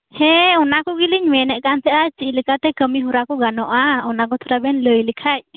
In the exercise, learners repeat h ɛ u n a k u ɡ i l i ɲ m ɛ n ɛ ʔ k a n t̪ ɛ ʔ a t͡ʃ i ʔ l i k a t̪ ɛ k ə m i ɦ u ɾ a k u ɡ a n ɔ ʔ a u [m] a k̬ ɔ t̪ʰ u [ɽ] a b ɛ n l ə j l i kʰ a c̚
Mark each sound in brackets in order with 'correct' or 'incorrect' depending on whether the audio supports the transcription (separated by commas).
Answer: incorrect, incorrect